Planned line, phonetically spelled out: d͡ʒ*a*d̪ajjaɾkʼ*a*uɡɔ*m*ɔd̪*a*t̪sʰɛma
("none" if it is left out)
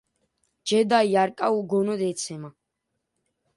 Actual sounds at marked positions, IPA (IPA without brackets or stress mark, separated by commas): ɛ, a, n, ɛ